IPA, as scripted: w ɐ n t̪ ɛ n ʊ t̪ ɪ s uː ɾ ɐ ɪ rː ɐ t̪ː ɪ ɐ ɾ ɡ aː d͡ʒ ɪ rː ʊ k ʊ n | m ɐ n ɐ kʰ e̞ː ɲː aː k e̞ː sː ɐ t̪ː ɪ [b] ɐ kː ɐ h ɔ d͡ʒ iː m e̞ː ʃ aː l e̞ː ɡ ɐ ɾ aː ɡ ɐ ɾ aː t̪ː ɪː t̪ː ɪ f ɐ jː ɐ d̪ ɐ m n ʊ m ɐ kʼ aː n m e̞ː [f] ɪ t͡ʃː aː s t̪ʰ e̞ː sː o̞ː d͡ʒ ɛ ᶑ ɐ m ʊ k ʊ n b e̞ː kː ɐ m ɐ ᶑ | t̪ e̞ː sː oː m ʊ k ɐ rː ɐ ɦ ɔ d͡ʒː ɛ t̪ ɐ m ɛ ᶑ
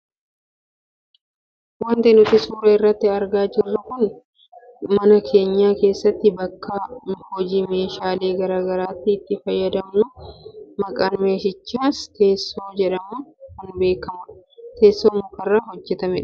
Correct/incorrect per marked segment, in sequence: correct, incorrect: ʃ

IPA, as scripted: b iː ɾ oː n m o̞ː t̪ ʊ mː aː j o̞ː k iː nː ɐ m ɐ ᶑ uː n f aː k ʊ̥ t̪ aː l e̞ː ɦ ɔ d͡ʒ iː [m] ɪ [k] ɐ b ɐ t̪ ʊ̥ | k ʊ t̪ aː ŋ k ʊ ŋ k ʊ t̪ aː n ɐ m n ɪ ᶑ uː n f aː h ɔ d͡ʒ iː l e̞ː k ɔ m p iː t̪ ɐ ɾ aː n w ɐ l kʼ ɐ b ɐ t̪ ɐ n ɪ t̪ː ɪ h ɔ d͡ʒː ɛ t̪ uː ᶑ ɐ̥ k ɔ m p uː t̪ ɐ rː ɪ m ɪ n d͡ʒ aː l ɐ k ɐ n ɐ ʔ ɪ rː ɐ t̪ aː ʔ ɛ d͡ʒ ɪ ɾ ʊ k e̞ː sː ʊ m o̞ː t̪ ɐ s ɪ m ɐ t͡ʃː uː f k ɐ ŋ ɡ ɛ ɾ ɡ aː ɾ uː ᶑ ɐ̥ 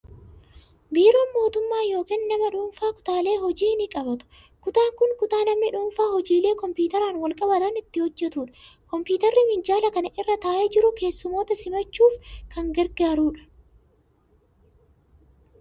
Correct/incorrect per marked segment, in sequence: incorrect: n, incorrect: kʼ

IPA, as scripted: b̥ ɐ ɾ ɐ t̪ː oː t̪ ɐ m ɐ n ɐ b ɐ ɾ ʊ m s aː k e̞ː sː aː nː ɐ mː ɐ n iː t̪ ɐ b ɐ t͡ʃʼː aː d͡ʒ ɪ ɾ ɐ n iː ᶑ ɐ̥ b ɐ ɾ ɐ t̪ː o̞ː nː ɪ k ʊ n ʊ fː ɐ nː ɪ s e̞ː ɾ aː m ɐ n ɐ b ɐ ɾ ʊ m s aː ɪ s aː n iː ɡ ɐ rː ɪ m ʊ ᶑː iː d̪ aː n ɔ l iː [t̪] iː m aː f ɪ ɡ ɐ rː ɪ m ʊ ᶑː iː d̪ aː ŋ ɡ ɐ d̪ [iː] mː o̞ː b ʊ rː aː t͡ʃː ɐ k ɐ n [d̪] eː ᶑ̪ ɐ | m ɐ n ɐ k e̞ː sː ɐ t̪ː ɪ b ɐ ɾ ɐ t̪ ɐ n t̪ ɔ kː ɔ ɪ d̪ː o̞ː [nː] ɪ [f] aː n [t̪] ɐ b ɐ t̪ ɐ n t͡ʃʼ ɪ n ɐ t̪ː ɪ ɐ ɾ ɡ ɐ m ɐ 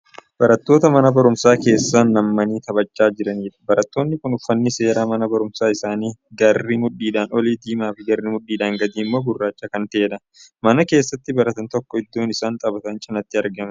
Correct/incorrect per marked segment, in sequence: incorrect: d̪, correct, incorrect: t̪, incorrect: n, incorrect: s, incorrect: t̪ʼ

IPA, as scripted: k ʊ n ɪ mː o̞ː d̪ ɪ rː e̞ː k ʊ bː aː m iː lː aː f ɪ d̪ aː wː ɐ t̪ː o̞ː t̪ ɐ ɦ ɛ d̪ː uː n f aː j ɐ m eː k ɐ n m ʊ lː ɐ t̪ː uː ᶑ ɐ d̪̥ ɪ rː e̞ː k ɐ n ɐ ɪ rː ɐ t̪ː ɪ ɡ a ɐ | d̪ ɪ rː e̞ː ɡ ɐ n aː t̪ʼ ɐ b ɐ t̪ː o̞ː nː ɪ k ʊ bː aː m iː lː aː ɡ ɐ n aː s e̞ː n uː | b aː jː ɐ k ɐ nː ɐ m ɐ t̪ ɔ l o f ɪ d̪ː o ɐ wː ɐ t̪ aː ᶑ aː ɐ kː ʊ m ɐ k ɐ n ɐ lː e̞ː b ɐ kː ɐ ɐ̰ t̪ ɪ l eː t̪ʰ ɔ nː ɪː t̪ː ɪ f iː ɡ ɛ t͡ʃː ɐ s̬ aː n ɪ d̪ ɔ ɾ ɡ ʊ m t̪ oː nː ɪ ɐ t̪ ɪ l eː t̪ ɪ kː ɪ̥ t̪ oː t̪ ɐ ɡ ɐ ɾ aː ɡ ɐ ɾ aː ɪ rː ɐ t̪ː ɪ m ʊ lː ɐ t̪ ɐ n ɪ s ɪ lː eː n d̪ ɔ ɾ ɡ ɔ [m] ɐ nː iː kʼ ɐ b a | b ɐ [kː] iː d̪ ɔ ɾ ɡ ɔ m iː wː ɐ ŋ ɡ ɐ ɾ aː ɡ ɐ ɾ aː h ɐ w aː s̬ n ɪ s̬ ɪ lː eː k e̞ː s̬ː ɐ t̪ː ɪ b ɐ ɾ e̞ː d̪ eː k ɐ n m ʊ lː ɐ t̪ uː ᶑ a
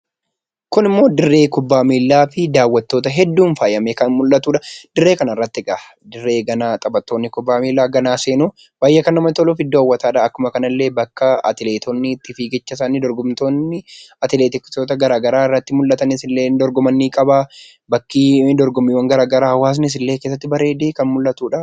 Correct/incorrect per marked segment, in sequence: correct, correct

